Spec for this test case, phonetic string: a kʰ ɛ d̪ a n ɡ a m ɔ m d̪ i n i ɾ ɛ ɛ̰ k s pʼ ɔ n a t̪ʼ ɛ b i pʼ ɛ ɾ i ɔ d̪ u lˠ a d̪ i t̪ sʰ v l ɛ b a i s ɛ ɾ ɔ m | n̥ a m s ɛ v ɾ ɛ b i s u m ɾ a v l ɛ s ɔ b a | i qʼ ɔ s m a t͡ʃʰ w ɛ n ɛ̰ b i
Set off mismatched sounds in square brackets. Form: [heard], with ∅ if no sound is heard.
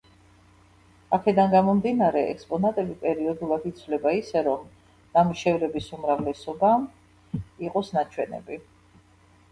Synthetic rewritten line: a kʰ ɛ d̪ a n ɡ a m ɔ m d̪ i n [a] ɾ ɛ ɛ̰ k s pʼ ɔ n a t̪ʼ ɛ b i pʼ ɛ ɾ i ɔ d̪ u lˠ a d̪ i t̪ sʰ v l ɛ b a i s ɛ ɾ ɔ m | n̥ a m [ʃ] ɛ v ɾ ɛ b i s u m ɾ a v l ɛ s ɔ b a | i qʼ ɔ s [n] a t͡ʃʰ w ɛ n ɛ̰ b i

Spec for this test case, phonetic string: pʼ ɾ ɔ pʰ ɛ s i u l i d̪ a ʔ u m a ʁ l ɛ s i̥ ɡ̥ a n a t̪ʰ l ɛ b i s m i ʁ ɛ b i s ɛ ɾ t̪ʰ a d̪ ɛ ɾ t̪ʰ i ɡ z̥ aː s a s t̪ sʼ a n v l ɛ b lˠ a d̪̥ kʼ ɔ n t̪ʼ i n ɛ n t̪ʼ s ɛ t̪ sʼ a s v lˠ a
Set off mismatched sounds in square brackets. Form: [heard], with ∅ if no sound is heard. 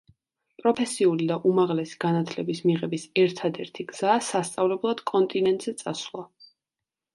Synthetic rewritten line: pʼ ɾ ɔ pʰ ɛ s i u l i d̪ a ʔ u m a ʁ l ɛ s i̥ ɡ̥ a n a t̪ʰ l ɛ b i s m i ʁ ɛ b i s ɛ ɾ t̪ʰ a d̪ ɛ ɾ t̪ʰ i ɡ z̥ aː s a s t̪ sʼ a [∅] v l ɛ b lˠ a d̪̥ kʼ ɔ n t̪ʼ i n ɛ n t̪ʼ [z] ɛ t̪ sʼ a s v lˠ a

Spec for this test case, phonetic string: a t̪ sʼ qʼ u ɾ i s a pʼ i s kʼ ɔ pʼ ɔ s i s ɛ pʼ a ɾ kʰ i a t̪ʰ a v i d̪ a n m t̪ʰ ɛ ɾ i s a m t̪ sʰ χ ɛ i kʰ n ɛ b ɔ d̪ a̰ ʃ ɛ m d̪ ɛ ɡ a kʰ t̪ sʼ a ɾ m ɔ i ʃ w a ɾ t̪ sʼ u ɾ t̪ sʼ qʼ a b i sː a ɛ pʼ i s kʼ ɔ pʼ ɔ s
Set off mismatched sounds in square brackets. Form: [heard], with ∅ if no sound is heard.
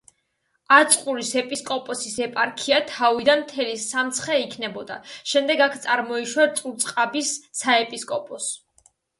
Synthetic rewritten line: a t̪ sʼ qʼ u ɾ i s [ɛ] pʼ i s kʼ ɔ pʼ ɔ s i s ɛ pʼ a ɾ kʰ i a t̪ʰ a v i d̪ a n m t̪ʰ ɛ [l] i s a m t̪ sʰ χ ɛ i kʰ n ɛ b ɔ d̪ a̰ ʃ ɛ m d̪ ɛ ɡ a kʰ t̪ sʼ a ɾ m ɔ i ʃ w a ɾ t̪ sʼ u ɾ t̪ sʼ qʼ a b i sː a ɛ pʼ i s kʼ ɔ pʼ ɔ s

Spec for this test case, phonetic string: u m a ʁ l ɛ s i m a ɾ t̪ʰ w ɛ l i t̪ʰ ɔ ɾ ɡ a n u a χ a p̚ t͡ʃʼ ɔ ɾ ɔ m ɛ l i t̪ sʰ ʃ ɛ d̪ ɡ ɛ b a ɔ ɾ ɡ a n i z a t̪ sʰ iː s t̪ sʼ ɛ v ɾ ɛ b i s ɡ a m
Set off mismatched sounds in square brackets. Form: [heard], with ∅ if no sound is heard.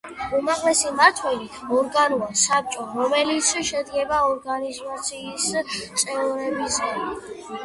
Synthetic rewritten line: u m a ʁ l ɛ s i m a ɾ t̪ʰ w ɛ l i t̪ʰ ɔ ɾ ɡ a n u a [s] a p̚ t͡ʃʼ ɔ ɾ ɔ m ɛ l i t̪ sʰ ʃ ɛ d̪ ɡ ɛ b a ɔ ɾ ɡ a n i z a t̪ sʰ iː s t̪ sʼ ɛ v ɾ ɛ b i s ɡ a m

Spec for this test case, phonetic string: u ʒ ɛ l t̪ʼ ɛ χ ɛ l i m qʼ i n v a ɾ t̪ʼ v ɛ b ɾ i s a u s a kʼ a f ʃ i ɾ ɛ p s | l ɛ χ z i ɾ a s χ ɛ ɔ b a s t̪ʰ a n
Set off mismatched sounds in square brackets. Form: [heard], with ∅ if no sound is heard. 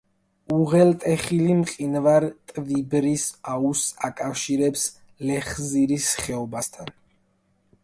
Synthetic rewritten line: u [ʁ] ɛ l t̪ʼ ɛ χ [i] l i m qʼ i n v a ɾ t̪ʼ v [i] b ɾ i s a u s a kʼ a f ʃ i ɾ ɛ p s | l ɛ χ z i ɾ [i] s χ ɛ ɔ b a s t̪ʰ a n

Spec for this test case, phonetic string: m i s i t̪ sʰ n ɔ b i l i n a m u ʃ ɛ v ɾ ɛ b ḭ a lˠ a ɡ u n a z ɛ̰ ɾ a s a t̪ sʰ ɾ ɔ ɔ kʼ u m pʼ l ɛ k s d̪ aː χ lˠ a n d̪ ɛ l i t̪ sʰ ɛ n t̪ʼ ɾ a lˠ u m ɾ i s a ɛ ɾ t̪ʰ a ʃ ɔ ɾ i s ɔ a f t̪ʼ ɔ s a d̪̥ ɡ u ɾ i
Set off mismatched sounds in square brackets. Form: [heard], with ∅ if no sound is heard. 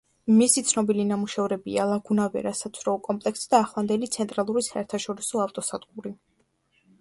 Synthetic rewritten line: m i s i t̪ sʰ n ɔ b i l i n a m u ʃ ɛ v ɾ ɛ b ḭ a lˠ a ɡ u n a [v] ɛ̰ ɾ a s a t̪ sʰ ɾ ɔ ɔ kʼ [ɔ] m pʼ l ɛ k s d̪ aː χ lˠ a n d̪ ɛ l i t̪ sʰ ɛ n t̪ʼ ɾ a lˠ u [∅] ɾ i s a ɛ ɾ t̪ʰ a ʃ ɔ ɾ i s ɔ a f t̪ʼ ɔ s a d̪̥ ɡ u ɾ i

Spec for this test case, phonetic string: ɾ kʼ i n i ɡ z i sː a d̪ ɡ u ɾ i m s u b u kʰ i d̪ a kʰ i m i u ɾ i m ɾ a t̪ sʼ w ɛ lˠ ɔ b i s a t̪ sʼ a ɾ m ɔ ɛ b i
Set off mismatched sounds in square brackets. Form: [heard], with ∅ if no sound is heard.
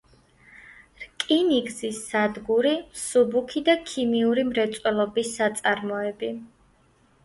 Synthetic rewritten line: ɾ kʼ i n i ɡ z i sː a d̪ ɡ u ɾ i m s u b u kʰ i d̪ a kʰ i m i u ɾ i m ɾ [ɛ] t̪ sʼ w ɛ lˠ ɔ b i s a t̪ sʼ a ɾ m ɔ ɛ b i

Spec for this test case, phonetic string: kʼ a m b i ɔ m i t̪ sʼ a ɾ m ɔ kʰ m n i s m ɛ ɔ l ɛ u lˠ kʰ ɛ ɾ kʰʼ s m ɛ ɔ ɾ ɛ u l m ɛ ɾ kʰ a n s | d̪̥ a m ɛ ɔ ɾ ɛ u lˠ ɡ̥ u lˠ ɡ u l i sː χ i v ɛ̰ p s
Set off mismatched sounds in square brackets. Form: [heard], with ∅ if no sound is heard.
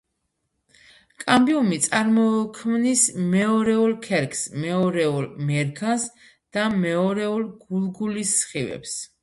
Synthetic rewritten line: kʼ a m b i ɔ m i t̪ sʼ a ɾ m ɔ kʰ m n i s m ɛ ɔ [ɾ] ɛ u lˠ kʰ ɛ ɾ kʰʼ s m ɛ ɔ ɾ ɛ u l m ɛ ɾ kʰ a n s | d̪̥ a m ɛ ɔ ɾ ɛ u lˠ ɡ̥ u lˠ ɡ u l i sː χ i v ɛ̰ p s

